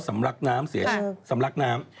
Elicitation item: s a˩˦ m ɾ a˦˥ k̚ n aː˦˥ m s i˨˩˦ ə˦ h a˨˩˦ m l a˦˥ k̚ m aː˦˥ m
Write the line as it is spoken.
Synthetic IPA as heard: s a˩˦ m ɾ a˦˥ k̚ n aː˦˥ m s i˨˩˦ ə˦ s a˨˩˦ m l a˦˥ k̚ n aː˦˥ m